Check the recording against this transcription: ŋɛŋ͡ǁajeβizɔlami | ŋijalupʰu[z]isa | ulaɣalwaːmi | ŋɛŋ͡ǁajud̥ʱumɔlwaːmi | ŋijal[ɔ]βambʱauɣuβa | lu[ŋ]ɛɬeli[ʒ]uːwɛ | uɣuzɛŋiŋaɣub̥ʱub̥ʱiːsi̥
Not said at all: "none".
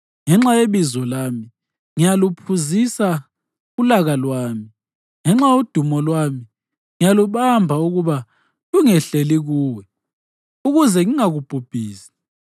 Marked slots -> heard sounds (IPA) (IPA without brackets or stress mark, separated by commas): z, u, ŋ, ɣ